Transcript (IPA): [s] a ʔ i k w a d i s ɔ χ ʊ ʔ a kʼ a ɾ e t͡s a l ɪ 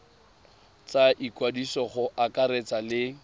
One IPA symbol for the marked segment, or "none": t͡s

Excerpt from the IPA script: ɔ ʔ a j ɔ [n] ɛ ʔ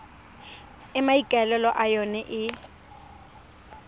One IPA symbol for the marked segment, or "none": n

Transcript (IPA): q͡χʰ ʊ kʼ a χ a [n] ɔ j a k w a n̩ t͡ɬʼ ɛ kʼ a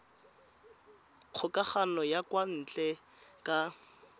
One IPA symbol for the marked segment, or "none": n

